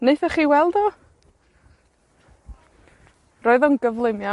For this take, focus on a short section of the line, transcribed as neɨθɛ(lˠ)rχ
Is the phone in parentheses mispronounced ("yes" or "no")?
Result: yes